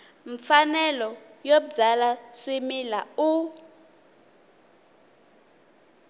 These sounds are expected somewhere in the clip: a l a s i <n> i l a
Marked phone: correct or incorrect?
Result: incorrect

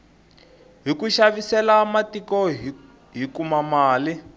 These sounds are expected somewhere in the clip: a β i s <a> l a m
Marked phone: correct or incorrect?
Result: incorrect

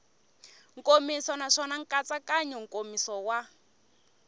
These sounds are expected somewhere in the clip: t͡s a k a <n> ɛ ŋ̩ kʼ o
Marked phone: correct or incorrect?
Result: incorrect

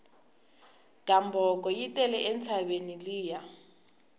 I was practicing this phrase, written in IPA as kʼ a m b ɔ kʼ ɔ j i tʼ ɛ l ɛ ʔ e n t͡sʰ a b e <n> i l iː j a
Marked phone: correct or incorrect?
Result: correct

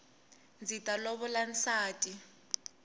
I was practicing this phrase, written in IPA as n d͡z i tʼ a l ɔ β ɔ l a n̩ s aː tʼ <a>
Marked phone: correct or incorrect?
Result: incorrect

